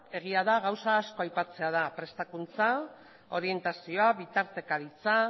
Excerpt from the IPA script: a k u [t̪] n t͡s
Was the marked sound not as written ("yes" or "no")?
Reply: yes